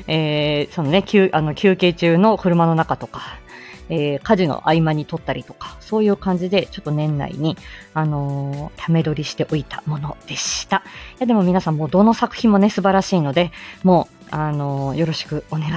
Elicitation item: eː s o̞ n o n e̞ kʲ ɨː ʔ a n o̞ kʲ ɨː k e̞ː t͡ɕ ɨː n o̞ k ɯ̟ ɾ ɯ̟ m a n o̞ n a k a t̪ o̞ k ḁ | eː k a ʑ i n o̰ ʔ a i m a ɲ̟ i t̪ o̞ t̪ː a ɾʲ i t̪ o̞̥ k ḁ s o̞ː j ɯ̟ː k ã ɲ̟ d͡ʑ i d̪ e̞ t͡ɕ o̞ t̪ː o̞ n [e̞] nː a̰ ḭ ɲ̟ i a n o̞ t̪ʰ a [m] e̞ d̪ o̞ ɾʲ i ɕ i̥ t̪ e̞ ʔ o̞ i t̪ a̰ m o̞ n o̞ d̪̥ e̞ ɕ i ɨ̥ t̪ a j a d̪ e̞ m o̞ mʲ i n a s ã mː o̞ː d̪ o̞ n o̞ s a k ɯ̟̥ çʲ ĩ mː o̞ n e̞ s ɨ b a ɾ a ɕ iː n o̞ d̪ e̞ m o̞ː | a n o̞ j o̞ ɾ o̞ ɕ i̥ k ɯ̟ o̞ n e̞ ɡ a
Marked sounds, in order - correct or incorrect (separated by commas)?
incorrect, correct